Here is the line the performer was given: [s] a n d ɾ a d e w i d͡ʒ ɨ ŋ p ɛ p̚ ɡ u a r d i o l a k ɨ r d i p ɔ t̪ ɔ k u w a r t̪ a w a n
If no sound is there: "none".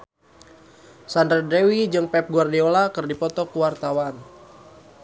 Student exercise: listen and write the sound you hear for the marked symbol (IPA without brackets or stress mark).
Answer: s